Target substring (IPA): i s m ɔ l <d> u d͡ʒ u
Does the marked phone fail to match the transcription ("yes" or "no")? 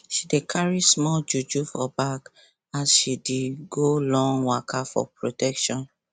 yes